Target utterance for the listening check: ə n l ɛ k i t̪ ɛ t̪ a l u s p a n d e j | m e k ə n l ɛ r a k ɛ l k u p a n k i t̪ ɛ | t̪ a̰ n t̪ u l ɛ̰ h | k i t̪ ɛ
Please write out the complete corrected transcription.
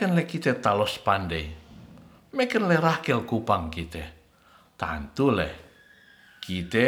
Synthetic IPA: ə n l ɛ k i t̪ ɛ t̪ a l ɔ s p a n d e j | m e k ə n l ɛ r a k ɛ l k u p a ŋ k i t̪ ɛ | t̪ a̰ n t̪ u l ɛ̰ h | k i t̪ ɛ